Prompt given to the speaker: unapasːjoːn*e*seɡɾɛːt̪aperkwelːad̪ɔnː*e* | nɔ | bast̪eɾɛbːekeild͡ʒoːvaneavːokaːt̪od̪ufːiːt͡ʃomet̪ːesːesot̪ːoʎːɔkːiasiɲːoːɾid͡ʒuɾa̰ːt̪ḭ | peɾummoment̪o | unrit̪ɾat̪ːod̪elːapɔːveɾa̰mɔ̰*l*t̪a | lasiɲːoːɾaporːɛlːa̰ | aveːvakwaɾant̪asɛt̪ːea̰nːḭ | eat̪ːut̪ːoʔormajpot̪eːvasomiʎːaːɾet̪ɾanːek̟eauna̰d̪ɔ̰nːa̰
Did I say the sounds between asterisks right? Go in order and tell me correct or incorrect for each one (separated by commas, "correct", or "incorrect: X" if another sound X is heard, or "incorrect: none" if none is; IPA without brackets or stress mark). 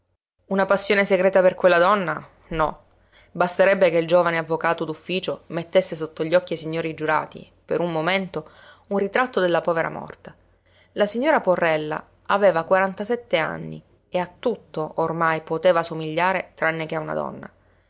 correct, incorrect: a, incorrect: r